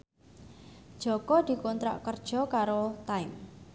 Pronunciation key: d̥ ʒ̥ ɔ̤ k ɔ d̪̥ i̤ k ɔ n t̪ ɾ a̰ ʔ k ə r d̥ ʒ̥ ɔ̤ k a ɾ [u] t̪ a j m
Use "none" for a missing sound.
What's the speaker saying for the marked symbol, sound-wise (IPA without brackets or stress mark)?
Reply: o